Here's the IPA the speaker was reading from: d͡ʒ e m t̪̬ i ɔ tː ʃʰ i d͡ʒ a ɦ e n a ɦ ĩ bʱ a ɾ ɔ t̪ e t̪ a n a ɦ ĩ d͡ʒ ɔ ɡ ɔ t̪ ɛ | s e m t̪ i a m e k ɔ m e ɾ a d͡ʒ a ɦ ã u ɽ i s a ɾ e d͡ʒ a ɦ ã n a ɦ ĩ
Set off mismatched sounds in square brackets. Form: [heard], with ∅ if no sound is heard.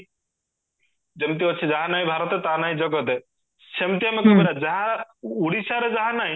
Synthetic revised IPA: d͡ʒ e m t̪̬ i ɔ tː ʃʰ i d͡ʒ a ɦ [a] n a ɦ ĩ bʱ a ɾ ɔ t̪ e t̪ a n a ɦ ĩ d͡ʒ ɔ ɡ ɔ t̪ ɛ | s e m t̪ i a m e k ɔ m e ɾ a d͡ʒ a ɦ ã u ɽ i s a ɾ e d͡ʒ a ɦ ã n a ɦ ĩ